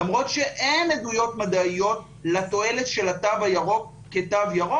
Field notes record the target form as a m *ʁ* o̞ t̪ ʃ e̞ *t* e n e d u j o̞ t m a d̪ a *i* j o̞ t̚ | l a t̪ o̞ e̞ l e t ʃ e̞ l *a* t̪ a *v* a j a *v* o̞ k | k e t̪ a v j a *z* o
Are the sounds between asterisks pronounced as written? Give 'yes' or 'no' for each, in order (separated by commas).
yes, no, yes, yes, yes, no, no